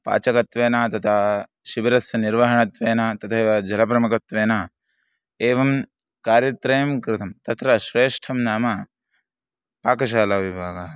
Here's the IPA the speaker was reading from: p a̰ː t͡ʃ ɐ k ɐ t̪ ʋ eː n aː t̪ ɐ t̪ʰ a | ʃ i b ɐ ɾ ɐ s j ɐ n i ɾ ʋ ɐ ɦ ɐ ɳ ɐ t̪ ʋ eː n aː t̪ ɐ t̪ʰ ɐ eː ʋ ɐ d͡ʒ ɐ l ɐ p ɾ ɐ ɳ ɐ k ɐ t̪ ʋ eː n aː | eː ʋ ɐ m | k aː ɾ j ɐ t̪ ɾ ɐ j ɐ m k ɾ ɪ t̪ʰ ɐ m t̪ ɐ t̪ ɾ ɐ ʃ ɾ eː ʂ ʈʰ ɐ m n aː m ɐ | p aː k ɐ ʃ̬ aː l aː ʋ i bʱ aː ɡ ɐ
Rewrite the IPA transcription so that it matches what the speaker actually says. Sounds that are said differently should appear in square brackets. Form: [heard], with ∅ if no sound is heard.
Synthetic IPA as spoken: p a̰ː t͡ʃ ɐ k ɐ t̪ ʋ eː n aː t̪ ɐ t̪ʰ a | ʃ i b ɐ ɾ ɐ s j ɐ n i ɾ ʋ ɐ ɦ ɐ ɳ ɐ t̪ ʋ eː n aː t̪ ɐ t̪ʰ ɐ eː ʋ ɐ d͡ʒ ɐ l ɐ p ɾ ɐ [m] ɐ k ɐ t̪ ʋ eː n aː | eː ʋ ɐ m | k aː ɾ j ɐ t̪ ɾ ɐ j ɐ m k ɾ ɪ t̪ʰ ɐ m t̪ ɐ t̪ ɾ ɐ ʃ ɾ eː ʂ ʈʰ ɐ m n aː m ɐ | p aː k ɐ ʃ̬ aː l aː ʋ i bʱ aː ɡ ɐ